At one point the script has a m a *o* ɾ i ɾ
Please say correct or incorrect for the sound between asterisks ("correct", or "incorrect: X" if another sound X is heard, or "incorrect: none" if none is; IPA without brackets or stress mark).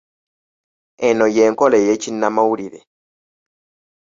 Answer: incorrect: u